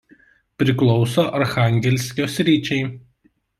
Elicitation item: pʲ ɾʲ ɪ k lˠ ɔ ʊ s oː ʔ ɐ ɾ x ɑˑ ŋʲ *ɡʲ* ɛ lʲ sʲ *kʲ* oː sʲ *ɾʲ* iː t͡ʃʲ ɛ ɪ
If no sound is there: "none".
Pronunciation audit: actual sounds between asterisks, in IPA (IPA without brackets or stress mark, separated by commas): ɡʲ, kʲ, ɾʲ